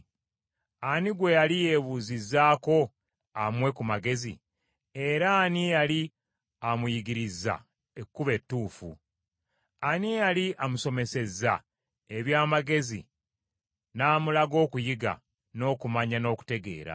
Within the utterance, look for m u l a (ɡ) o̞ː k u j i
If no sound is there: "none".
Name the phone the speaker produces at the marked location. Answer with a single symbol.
ɡ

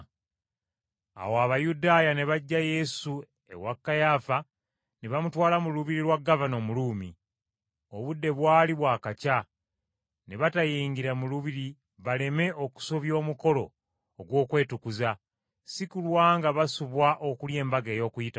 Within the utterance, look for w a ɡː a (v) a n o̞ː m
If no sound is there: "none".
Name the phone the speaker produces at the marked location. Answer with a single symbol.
v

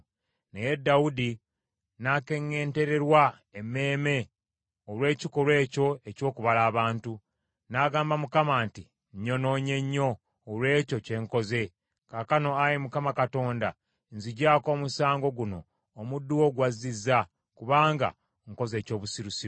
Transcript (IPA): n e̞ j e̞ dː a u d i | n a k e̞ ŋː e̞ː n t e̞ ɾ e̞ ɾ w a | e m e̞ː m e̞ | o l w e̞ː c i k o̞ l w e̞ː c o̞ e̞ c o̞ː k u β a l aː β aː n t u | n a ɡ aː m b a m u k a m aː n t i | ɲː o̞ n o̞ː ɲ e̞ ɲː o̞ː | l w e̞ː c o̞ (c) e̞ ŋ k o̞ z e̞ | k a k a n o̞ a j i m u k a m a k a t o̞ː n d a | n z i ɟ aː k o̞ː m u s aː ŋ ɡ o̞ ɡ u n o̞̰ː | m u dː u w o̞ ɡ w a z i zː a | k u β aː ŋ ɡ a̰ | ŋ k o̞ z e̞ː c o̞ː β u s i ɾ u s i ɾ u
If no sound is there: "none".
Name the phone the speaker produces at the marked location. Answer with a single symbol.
c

